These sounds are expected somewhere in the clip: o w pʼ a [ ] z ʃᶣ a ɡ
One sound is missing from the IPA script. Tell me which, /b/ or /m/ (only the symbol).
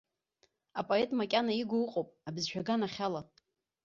b